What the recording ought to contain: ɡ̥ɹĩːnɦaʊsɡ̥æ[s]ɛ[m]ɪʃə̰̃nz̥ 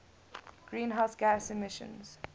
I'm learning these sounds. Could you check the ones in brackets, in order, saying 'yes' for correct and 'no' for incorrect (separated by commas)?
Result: yes, yes